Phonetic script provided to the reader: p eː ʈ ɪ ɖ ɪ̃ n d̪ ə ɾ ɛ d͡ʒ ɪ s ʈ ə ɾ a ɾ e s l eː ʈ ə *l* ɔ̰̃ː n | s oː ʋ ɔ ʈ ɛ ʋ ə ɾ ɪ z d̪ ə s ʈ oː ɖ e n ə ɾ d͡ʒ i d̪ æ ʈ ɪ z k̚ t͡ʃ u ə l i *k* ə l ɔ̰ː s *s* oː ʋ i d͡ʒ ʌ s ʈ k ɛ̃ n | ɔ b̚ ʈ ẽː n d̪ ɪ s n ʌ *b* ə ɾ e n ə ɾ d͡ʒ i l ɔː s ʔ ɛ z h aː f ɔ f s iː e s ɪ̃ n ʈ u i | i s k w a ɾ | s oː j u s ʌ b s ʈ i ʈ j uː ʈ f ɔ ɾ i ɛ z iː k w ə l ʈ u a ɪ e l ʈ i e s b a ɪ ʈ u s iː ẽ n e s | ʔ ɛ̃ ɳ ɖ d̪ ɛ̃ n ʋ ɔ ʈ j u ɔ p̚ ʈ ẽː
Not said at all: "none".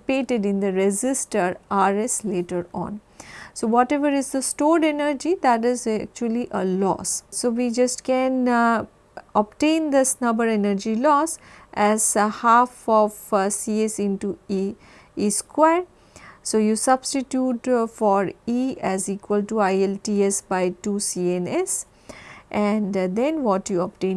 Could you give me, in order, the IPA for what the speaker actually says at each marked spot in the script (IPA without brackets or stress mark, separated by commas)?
ɾ, ʔ, s, b